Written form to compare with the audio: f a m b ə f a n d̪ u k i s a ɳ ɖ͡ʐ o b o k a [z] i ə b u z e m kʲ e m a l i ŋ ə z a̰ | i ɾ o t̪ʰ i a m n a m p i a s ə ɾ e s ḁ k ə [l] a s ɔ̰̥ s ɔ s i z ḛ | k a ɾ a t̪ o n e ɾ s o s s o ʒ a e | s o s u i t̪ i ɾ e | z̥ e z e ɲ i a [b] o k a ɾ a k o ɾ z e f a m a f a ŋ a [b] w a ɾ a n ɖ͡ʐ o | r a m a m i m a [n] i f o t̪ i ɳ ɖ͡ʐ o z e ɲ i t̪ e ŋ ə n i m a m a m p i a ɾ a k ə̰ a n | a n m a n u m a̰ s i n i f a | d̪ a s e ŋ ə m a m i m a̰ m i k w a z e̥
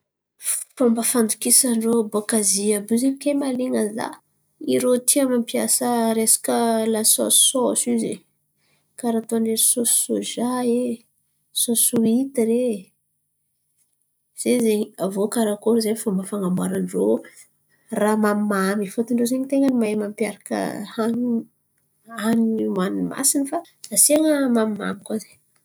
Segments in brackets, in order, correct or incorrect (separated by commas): correct, correct, incorrect, incorrect, incorrect